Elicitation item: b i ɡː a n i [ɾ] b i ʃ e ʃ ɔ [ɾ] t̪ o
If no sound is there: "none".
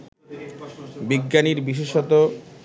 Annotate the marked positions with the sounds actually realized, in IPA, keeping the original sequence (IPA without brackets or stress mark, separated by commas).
ɾ, none